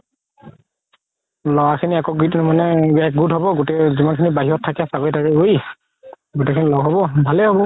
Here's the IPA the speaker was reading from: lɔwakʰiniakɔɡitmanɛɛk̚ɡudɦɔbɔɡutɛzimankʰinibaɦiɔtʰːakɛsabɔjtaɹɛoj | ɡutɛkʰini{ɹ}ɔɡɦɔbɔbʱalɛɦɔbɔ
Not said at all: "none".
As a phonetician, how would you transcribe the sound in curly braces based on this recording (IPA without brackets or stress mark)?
l